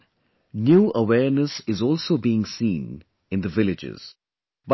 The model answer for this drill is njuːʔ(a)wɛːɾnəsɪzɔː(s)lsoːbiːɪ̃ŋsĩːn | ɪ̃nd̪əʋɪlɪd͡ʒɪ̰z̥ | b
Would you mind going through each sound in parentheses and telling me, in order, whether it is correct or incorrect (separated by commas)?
incorrect, incorrect